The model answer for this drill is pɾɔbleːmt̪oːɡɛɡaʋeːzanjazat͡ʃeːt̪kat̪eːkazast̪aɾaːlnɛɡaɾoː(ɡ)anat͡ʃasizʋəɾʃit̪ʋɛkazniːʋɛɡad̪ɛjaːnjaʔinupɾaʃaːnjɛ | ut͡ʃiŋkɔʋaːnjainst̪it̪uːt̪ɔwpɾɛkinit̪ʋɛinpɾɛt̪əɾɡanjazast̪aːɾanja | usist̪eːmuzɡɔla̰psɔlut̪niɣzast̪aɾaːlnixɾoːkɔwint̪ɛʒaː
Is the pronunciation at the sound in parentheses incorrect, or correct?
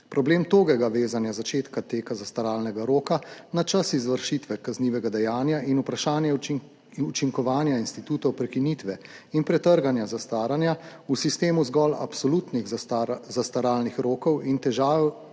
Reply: incorrect